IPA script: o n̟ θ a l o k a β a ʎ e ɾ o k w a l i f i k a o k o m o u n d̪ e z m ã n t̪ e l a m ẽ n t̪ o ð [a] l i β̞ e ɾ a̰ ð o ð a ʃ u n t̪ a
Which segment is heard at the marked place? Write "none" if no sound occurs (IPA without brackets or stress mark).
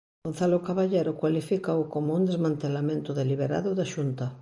e